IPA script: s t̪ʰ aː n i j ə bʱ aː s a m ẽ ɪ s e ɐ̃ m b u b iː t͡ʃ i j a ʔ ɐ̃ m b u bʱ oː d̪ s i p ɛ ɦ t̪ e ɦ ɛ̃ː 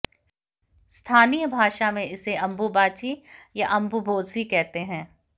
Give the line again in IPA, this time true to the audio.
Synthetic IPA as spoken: s t̪ʰ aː n i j ə bʱ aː ʃ a m ẽ ɪ s e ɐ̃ m b u b aː t͡ʃ i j a ʔ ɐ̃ m b u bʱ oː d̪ s i k ɛ ɦ t̪ e ɦ ɛ̃ː